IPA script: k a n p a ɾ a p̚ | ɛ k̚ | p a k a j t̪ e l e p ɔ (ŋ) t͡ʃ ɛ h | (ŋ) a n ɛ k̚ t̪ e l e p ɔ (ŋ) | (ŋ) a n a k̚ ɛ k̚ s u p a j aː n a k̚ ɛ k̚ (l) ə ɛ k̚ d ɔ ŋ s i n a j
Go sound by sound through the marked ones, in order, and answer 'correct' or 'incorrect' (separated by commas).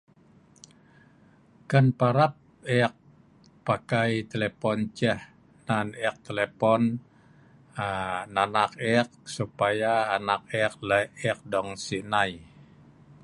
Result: incorrect, incorrect, incorrect, incorrect, correct